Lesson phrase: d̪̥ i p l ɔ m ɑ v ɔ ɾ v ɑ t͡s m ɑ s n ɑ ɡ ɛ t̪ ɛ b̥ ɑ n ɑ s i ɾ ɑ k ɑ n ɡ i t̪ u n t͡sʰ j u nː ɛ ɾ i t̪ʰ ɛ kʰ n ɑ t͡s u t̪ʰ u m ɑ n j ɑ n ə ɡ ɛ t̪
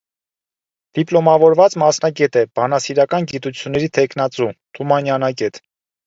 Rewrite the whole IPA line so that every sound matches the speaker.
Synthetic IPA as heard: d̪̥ i p l ɔ m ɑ v ɔ ɾ v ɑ t͡s m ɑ s n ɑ ɡ ɛ t̪ ɛ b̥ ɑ n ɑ s i ɾ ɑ k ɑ n ɡ i t̪ u t͡sʰ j u nː ɛ ɾ i t̪ʰ ɛ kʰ n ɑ t͡s u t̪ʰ u m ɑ n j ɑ n ɑ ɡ ɛ t̪